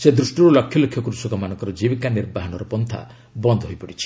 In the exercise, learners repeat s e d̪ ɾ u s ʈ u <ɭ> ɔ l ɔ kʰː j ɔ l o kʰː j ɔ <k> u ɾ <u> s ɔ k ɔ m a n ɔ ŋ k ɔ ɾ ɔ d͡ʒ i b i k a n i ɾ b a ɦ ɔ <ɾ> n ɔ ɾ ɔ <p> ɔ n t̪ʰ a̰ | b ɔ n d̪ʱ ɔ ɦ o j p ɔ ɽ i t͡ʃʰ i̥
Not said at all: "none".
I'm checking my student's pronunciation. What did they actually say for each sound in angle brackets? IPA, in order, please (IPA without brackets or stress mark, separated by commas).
ɾ, k, u, none, p